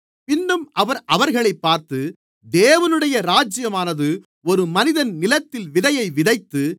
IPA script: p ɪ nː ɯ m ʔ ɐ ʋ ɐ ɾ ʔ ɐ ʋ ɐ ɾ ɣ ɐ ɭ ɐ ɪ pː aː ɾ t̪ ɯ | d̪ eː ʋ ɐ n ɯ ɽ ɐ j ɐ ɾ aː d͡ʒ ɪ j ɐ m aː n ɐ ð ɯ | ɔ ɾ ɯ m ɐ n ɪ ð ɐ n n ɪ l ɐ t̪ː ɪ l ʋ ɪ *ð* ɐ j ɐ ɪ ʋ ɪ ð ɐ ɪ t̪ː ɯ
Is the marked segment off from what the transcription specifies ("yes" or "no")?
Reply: no